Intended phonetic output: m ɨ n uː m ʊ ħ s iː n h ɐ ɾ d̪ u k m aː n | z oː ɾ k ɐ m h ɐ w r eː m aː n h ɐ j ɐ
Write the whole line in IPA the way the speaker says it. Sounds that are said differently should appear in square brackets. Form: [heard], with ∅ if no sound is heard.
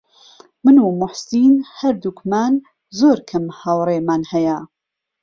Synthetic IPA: m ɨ n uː m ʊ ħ s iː n h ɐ ɾ d̪ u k m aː n | z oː ɾ [kʰ] ɐ m h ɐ w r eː m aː n h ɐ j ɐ